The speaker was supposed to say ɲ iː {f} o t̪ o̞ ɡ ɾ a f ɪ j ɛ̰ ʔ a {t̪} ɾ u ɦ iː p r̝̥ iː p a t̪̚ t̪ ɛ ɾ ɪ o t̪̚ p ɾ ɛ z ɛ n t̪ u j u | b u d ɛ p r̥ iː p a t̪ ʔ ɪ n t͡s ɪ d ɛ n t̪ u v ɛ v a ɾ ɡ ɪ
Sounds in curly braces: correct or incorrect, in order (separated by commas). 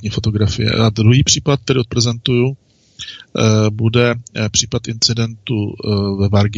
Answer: correct, incorrect